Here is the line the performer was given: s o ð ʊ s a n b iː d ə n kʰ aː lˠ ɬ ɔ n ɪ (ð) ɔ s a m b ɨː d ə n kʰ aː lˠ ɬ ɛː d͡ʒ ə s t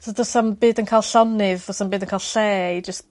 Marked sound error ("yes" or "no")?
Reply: yes